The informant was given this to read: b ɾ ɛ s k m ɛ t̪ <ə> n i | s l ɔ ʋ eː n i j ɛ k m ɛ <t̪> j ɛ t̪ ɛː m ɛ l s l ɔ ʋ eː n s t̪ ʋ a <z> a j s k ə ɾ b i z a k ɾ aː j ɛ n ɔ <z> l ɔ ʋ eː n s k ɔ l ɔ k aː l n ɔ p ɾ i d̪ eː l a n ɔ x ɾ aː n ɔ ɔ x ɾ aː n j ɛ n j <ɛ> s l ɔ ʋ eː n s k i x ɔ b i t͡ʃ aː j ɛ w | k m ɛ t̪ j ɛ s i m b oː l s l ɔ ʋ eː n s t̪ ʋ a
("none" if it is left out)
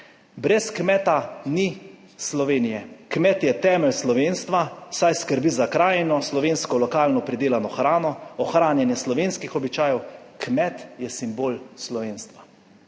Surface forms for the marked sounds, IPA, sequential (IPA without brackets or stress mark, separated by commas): a, t̪, s, s, ɛ